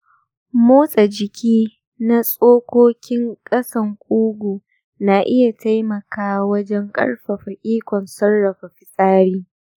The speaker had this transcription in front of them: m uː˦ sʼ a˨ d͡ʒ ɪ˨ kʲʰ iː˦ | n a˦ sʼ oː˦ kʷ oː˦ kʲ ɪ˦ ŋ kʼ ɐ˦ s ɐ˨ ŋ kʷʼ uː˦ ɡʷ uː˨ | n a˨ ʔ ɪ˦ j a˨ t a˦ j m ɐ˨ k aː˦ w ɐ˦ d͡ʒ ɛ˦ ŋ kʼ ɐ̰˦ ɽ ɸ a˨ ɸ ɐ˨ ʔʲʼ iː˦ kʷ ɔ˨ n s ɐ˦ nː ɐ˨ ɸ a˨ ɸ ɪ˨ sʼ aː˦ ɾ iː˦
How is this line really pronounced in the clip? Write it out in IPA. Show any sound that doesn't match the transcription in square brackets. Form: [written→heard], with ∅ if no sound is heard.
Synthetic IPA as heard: m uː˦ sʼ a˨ d͡ʒ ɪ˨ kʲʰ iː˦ | n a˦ sʼ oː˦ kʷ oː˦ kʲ ɪ˦ ŋ kʼ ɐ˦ s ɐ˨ ŋ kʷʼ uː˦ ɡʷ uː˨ | n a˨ ʔ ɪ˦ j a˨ t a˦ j m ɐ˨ k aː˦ w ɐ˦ d͡ʒ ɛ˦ ŋ kʼ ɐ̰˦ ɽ ɸ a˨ ɸ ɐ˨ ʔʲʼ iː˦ kʷ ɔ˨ n s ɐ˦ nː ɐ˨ ɸ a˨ ɸ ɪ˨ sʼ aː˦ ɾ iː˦